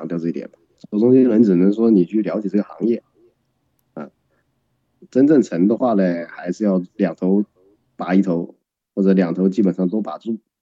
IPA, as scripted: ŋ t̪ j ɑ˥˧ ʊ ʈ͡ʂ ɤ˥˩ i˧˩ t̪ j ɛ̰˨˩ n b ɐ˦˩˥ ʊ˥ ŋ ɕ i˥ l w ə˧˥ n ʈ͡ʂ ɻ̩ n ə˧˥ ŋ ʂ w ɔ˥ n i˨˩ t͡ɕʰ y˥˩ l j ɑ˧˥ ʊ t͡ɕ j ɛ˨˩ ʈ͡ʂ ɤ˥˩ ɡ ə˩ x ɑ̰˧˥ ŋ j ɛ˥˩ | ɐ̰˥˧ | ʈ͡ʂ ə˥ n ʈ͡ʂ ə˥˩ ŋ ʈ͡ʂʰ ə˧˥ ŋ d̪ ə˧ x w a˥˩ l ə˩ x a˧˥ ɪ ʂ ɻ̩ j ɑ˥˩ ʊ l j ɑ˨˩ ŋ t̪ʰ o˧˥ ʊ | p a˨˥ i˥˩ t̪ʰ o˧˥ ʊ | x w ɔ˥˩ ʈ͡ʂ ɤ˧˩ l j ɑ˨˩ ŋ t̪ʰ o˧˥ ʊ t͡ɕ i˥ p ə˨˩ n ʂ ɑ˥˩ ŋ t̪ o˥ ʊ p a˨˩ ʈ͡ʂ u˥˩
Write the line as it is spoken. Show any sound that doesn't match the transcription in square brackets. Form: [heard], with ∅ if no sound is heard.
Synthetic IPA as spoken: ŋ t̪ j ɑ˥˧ ʊ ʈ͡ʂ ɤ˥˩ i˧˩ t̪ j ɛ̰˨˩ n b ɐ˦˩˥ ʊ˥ ŋ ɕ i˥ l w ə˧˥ n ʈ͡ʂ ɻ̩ n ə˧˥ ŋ ʂ w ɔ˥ n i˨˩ t͡ɕʰ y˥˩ l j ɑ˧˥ ʊ t͡ɕ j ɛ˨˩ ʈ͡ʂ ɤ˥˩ ɡ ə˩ x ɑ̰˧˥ ŋ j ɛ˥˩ | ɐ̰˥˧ | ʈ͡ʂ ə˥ n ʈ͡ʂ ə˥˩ ŋ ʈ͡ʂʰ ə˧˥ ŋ d̪ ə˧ x w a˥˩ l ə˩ x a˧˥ ɪ ʂ ɻ̩ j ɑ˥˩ ʊ l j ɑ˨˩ ŋ t̪ʰ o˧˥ ʊ | p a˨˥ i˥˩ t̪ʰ o˧˥ ʊ | x w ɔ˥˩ ʈ͡ʂ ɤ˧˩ l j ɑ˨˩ ŋ t̪ʰ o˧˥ ʊ t͡ɕ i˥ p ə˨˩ n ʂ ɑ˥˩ ŋ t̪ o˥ ʊ p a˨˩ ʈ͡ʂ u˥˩